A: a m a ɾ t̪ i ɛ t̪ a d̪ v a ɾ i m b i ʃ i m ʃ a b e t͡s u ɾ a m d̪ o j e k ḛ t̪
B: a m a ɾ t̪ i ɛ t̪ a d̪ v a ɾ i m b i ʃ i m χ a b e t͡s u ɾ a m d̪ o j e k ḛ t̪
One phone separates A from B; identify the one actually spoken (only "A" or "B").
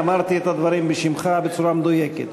B